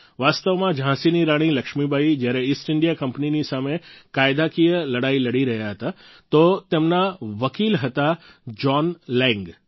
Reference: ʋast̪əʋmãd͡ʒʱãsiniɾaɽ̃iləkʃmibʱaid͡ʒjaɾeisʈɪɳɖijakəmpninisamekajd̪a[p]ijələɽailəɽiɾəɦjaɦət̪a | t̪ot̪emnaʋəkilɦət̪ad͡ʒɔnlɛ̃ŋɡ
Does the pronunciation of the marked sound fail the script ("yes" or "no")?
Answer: yes